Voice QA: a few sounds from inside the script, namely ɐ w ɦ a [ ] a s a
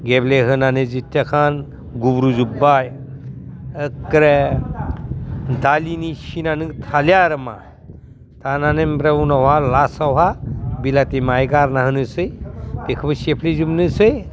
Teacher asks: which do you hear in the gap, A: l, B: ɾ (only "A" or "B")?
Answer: A